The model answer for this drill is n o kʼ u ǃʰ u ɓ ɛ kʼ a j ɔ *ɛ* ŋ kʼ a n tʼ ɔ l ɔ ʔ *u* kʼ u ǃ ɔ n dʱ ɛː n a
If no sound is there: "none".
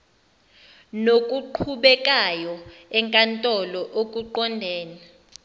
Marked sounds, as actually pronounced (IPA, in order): ɛ, o

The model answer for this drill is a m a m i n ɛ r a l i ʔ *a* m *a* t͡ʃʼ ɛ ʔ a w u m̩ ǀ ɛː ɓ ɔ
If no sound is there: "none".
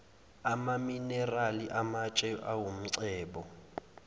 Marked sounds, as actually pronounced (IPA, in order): a, a

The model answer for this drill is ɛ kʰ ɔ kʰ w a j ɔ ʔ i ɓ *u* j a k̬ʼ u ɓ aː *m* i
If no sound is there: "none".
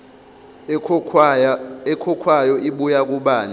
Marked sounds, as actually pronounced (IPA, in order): u, n

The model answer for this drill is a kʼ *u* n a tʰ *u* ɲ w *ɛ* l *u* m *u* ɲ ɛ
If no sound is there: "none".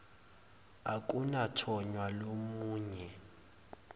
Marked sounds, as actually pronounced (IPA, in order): u, ɔ, a, o, uː

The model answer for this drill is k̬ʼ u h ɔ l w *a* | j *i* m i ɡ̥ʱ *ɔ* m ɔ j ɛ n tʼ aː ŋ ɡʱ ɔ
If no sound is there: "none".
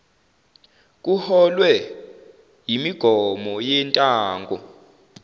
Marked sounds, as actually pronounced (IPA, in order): ɛ, i, ɔ

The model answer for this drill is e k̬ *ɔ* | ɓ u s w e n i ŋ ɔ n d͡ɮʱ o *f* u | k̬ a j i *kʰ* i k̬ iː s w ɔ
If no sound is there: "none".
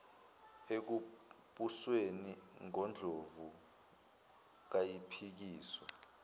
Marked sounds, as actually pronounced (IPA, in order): u, v, pʰ

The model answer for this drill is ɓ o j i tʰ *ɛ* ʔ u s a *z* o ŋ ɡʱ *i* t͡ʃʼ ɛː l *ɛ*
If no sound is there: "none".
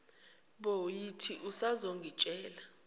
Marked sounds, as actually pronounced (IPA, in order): i, z, i, a

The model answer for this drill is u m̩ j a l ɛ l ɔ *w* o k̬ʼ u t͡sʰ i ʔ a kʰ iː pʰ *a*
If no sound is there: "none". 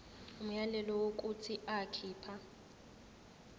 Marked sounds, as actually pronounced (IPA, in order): w, a

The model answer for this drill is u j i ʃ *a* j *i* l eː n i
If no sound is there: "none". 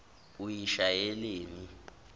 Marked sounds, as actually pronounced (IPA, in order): a, ɛ

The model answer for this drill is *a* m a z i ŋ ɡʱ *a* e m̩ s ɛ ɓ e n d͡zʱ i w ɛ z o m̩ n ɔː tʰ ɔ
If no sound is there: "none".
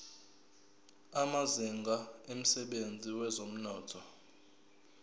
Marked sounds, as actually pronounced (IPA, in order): a, a

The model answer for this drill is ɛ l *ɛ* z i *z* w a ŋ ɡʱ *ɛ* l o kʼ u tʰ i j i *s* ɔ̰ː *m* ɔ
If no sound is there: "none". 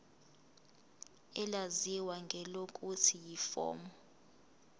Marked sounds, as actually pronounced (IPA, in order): a, none, ɛ, f, m

